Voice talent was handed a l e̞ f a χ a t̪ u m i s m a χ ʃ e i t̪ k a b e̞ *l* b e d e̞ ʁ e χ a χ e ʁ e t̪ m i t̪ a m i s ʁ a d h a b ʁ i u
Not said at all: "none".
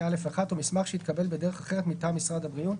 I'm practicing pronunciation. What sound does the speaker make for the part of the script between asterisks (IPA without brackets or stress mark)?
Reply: l